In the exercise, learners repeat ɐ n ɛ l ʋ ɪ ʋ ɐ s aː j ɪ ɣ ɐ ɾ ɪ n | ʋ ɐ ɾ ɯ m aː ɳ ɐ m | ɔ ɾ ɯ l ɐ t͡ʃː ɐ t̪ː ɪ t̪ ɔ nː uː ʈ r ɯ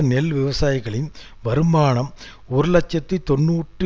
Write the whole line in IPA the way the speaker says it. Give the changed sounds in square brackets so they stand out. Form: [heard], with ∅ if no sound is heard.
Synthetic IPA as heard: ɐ n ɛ l ʋ ɪ ʋ ɐ s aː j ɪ ɣ ɐ [ɭ] ɪ n | ʋ ɐ ɾ ɯ m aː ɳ ɐ m | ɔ ɾ ɯ l ɐ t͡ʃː ɐ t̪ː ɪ t̪ ɔ nː uː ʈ r ɯ